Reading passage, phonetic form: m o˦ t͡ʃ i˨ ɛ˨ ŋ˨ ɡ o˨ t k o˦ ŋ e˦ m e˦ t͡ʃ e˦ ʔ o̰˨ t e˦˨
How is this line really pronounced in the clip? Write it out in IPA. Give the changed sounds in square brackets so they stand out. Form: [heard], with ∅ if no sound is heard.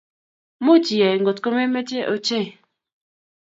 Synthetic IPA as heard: m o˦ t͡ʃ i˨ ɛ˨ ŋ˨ ɡ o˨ t k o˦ [m] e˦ m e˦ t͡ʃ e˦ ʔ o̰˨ [t͡ʃ] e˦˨